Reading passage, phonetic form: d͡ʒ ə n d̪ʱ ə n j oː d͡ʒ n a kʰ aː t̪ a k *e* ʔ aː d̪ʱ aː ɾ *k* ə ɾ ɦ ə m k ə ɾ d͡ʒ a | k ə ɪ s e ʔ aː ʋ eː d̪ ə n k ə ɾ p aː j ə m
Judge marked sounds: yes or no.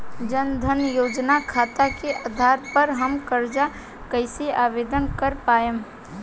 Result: yes, no

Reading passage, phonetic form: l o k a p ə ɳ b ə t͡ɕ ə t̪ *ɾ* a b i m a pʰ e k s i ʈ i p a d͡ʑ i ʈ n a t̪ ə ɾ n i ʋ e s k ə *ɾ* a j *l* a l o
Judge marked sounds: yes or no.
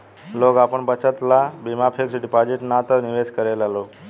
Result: no, yes, yes

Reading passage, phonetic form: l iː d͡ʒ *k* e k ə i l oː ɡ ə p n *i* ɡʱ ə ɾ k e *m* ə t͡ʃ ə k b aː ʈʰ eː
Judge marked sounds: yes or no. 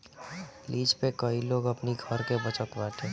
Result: no, yes, no

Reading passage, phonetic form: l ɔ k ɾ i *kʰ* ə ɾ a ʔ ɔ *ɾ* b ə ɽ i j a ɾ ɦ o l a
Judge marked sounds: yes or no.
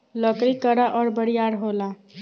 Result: no, yes

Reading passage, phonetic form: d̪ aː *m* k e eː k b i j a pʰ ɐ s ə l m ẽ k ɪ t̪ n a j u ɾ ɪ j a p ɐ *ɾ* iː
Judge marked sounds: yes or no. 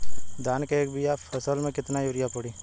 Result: no, no

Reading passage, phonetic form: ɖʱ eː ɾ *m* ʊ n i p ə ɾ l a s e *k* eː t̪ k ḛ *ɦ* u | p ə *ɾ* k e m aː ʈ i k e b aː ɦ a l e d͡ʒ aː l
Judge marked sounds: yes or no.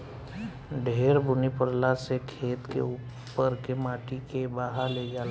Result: no, no, no, yes

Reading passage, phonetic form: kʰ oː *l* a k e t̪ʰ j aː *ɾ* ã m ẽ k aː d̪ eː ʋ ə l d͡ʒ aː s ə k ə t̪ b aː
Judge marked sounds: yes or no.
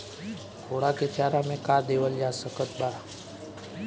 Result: no, yes

